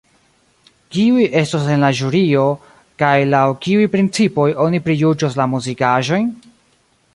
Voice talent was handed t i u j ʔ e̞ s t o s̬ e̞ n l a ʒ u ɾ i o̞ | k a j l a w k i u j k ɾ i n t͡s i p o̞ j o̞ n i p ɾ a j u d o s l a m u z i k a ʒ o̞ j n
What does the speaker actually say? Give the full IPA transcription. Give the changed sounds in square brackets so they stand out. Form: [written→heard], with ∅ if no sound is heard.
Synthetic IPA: [t→k] i u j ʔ e̞ s t o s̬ e̞ n l a ʒ u ɾ i o̞ | k a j l a w k i u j [k→p] ɾ i n t͡s i p o̞ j o̞ n i p ɾ [a→i] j u [d→d͡ʒ] o s l a m u z i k a ʒ o̞ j n